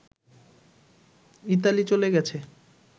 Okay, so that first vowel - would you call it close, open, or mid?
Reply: close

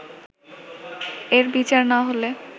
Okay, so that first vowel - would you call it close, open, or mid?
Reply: mid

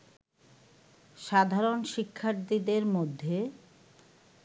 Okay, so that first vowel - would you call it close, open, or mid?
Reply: open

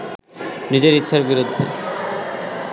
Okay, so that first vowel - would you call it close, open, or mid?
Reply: close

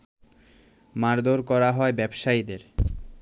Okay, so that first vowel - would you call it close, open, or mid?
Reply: open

